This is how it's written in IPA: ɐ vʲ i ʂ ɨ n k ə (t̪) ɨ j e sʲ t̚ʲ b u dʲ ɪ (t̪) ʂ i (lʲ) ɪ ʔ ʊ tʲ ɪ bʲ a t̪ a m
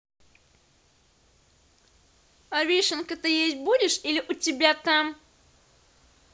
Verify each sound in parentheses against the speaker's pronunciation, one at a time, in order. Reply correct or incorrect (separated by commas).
correct, incorrect, correct